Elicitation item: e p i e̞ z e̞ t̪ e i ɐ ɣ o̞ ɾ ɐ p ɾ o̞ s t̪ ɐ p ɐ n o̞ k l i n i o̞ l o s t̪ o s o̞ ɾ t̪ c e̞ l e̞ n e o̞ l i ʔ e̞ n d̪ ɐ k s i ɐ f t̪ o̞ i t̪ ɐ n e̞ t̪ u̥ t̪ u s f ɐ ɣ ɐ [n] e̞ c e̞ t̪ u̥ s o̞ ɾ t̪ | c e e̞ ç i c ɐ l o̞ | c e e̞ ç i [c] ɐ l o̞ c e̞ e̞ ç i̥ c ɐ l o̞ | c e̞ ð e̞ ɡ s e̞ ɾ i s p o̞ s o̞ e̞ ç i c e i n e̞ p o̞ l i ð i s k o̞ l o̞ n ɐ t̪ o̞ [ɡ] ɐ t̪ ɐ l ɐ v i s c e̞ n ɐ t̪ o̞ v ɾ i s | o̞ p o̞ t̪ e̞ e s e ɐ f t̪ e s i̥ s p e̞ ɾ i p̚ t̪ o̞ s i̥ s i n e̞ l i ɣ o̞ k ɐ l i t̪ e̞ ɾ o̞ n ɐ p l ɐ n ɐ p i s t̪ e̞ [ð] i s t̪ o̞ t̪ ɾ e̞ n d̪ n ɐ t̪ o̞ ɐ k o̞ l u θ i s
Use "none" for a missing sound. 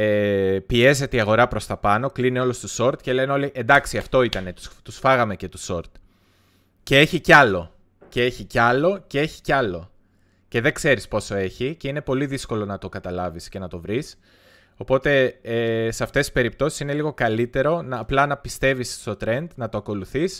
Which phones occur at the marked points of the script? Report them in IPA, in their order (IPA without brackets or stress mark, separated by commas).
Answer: m, c, k, v